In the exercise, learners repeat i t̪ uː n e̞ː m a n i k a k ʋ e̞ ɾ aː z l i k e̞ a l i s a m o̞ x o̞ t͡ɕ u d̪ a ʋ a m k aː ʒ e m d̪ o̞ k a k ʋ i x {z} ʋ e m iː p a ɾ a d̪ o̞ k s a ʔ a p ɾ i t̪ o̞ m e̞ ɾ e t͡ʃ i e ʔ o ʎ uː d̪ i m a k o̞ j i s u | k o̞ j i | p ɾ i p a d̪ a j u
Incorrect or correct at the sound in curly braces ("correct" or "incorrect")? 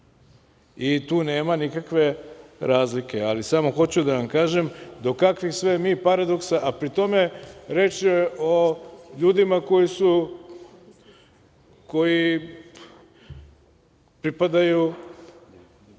incorrect